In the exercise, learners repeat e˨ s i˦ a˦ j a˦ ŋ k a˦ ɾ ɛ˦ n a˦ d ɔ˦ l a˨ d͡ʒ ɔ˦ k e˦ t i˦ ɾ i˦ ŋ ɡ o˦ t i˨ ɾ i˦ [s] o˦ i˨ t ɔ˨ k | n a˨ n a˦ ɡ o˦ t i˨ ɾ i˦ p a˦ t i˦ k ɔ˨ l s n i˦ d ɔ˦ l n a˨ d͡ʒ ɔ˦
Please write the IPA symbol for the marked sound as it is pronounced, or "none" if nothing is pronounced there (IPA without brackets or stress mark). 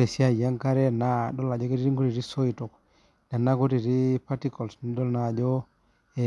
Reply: s